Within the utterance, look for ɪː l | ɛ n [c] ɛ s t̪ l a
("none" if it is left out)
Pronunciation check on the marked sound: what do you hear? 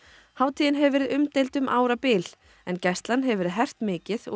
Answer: c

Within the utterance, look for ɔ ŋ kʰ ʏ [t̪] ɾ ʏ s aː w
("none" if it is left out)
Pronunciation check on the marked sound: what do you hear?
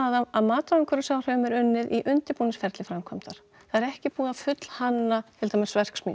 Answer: none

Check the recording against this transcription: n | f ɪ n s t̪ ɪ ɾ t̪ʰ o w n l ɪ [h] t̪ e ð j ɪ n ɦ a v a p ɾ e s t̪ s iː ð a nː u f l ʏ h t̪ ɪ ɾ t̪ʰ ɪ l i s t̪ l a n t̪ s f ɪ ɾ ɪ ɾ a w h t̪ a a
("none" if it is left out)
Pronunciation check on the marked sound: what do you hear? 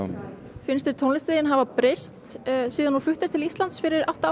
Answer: s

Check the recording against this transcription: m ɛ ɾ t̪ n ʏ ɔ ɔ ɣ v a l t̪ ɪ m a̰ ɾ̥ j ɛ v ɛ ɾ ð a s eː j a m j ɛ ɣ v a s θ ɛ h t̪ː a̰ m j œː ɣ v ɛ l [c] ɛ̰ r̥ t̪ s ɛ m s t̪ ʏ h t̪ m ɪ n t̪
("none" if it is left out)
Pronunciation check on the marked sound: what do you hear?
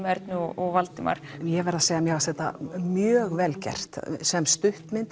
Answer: c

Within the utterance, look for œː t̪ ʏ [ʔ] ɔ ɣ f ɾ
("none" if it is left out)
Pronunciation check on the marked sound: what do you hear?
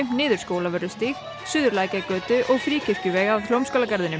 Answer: ʔ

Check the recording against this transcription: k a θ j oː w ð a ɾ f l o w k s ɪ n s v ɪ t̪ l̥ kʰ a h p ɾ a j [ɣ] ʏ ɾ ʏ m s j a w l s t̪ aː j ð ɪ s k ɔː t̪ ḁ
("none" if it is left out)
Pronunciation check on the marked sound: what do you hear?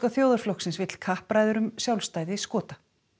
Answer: ð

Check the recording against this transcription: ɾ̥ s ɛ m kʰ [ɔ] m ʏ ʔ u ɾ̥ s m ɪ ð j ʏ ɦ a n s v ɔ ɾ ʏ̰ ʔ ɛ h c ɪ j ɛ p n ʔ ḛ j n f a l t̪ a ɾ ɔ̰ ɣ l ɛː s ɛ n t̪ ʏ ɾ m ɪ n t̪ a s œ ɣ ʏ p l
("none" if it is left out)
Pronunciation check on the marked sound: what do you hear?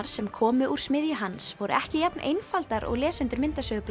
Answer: ɔː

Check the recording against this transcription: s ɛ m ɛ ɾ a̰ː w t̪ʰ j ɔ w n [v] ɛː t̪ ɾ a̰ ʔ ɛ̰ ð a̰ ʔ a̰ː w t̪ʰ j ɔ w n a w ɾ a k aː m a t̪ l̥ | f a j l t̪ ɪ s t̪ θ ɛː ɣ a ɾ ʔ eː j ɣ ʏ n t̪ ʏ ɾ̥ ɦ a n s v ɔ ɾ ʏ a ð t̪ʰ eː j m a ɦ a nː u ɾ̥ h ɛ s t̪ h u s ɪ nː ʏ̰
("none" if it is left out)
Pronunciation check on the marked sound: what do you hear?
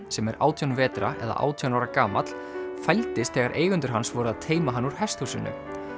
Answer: v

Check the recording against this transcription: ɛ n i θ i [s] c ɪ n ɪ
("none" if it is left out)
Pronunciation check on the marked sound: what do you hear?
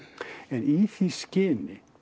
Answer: s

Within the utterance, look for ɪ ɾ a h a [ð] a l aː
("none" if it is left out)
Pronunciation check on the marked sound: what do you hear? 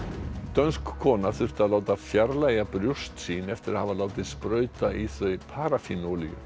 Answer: v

